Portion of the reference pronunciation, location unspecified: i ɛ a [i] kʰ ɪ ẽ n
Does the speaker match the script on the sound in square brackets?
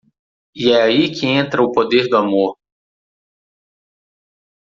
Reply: yes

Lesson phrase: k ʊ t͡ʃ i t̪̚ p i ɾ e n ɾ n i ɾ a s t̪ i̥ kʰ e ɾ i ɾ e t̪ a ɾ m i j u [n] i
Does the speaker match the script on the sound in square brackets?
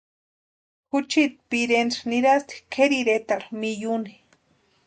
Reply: yes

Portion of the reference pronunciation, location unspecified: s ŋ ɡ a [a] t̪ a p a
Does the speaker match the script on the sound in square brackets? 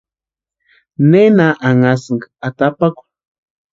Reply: yes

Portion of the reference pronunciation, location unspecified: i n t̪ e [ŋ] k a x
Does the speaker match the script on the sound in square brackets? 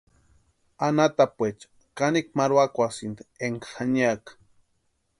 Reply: yes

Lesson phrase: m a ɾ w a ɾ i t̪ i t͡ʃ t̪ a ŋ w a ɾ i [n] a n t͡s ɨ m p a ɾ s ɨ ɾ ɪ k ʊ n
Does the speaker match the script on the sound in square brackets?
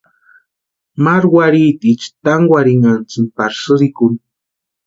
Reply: no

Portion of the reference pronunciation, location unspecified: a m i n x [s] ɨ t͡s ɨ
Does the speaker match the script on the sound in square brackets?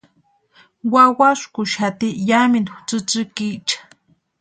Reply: no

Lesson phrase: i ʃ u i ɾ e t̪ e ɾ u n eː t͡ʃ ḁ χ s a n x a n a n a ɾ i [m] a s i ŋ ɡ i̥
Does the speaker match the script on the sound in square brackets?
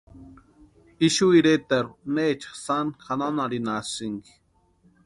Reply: no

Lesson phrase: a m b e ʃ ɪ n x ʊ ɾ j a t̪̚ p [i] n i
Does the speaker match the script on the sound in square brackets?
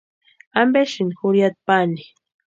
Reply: no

